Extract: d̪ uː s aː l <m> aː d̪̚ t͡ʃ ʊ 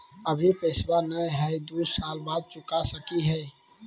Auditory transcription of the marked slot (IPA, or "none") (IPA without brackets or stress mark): b